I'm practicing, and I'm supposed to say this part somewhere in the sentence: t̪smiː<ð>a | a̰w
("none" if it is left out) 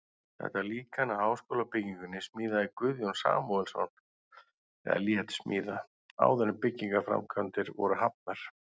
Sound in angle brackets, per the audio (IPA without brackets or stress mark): ð